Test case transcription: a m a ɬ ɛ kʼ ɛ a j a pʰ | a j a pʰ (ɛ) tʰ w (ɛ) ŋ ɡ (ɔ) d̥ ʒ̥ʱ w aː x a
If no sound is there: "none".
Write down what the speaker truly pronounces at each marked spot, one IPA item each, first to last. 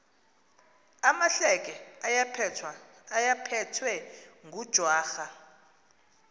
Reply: ɛ, ɛ, u

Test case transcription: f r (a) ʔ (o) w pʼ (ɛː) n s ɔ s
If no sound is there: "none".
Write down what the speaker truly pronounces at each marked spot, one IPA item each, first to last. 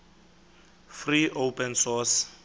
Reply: i, o, ɛ

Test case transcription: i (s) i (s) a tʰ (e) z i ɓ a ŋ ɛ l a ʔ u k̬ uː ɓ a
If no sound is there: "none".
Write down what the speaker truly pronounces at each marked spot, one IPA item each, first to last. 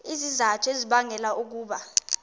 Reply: z, z, e

